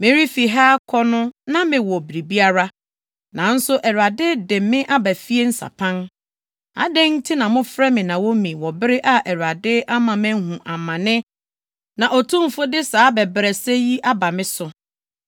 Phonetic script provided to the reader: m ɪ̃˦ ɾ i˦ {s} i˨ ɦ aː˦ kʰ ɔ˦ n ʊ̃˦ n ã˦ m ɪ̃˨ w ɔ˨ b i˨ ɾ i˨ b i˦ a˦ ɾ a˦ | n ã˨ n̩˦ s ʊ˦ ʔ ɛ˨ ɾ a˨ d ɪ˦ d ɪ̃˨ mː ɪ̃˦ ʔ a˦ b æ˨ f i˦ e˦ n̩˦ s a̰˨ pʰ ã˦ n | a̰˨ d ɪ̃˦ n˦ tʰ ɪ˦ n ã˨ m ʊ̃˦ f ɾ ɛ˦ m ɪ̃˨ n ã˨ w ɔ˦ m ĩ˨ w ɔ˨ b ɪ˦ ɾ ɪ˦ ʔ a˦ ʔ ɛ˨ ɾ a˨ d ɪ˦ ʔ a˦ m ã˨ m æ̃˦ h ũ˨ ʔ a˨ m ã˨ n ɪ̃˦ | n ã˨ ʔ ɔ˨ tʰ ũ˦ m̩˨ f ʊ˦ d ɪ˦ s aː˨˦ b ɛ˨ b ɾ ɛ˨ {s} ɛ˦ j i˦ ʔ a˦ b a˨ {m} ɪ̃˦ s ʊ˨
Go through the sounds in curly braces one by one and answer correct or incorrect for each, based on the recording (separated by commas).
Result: incorrect, correct, correct